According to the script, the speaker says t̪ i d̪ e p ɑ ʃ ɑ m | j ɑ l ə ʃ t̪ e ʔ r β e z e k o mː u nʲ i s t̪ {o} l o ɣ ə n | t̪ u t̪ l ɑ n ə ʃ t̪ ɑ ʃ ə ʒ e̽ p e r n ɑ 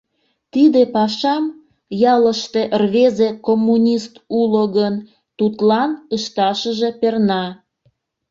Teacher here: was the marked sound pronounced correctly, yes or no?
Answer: no